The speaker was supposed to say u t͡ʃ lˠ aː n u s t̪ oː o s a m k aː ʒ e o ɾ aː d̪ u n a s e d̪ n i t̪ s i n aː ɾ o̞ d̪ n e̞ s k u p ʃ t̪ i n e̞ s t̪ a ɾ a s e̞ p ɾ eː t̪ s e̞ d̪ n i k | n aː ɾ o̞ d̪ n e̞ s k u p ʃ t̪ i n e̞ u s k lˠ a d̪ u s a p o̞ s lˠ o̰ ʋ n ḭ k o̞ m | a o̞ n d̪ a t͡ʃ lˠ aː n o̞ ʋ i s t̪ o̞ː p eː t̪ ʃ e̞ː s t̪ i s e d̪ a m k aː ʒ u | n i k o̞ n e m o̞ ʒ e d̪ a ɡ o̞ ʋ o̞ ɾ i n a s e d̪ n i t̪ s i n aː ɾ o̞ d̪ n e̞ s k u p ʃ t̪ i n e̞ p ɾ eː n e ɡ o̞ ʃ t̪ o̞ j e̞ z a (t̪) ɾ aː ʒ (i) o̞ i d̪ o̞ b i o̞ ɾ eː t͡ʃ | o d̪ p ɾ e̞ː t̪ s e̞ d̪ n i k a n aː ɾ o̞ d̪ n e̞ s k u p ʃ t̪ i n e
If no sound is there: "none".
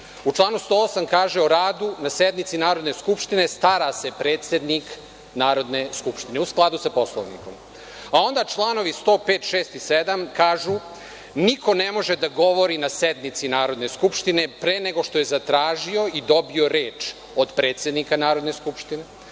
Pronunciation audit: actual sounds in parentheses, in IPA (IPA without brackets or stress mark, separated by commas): t̪, i